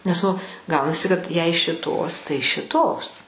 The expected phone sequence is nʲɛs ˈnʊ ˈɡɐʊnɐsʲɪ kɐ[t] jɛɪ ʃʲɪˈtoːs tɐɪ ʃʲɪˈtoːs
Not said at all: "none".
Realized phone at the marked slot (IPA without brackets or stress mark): t